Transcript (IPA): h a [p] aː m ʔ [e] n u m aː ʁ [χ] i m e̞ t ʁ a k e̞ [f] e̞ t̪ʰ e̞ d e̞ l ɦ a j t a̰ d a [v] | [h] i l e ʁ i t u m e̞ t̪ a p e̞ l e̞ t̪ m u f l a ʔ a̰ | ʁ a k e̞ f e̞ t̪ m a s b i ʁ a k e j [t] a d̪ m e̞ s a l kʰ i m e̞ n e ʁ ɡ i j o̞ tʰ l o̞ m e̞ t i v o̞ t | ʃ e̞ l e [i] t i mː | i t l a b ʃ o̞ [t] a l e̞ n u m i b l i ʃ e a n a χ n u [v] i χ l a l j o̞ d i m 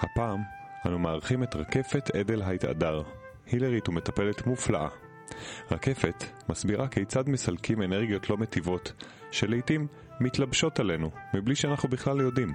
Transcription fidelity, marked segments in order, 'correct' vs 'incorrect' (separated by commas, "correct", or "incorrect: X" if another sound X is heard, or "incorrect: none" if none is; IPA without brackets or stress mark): correct, incorrect: a, correct, correct, incorrect: ʁ, correct, incorrect: t͡s, incorrect: j, correct, incorrect: b